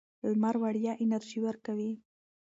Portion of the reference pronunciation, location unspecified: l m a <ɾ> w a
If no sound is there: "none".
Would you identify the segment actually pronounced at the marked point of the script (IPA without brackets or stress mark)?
ɾ